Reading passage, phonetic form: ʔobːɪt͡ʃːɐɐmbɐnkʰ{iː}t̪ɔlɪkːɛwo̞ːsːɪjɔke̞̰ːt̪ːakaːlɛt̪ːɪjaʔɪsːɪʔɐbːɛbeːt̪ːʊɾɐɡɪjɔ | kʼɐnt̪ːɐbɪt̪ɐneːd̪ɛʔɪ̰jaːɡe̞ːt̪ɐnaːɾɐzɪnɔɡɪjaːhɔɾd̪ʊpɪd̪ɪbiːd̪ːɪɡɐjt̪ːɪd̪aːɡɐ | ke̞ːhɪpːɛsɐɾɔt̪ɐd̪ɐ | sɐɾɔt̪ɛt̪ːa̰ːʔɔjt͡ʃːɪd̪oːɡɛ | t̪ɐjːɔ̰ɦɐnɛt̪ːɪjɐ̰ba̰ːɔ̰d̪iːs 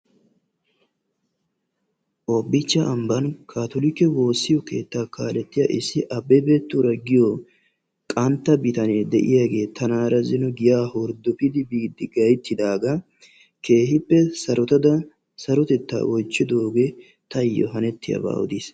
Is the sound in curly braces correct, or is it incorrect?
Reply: incorrect